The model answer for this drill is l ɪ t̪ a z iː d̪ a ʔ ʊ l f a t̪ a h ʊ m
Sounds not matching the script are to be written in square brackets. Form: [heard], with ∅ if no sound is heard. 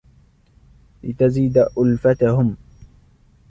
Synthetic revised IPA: l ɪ t̪ a z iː d̪ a ʔ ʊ l f a t̪ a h ʊ m